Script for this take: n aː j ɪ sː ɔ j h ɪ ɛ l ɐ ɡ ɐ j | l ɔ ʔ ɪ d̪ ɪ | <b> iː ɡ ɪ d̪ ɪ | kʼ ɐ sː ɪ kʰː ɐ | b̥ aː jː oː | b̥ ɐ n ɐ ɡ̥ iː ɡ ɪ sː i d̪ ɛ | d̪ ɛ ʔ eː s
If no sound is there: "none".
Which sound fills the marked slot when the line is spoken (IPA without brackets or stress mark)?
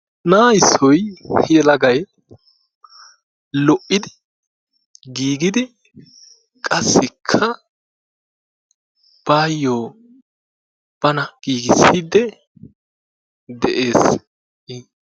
ɡ